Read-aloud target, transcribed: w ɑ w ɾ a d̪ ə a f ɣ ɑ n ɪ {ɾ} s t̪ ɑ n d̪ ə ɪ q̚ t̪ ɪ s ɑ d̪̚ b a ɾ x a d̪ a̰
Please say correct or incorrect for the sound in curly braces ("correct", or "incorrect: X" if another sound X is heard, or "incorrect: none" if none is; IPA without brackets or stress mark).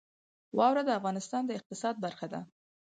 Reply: incorrect: none